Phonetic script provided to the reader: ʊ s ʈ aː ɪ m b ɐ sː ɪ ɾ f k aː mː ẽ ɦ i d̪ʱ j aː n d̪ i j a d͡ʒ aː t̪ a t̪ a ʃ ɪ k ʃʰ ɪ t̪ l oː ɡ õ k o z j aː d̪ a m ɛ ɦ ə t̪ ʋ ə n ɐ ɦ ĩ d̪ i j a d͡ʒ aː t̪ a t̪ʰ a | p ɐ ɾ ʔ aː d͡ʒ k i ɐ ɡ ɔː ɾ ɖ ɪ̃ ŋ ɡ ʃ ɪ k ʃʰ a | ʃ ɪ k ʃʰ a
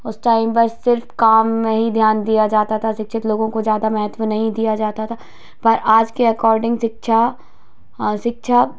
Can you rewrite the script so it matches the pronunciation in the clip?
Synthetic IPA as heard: ʊ s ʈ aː ɪ m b ɐ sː ɪ ɾ f k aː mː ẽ ɦ i d̪ʱ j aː n d̪ i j a d͡ʒ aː t̪ a t̪ʰ a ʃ ɪ k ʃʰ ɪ t̪ l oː ɡ õ k o z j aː d̪ a m ɛ ɦ ə t̪ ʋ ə n ɐ ɦ ĩ d̪ i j a d͡ʒ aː t̪ a t̪ʰ a | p ɐ ɾ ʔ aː d͡ʒ k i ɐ k ɔː ɾ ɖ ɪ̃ ŋ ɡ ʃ ɪ k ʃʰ a | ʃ ɪ k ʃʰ a